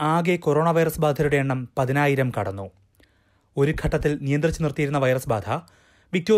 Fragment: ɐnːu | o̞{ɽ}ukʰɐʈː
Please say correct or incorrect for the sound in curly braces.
incorrect